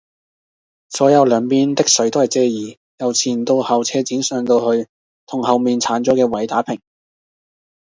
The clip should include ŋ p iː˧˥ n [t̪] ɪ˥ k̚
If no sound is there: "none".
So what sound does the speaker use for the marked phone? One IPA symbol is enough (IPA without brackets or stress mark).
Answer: t̪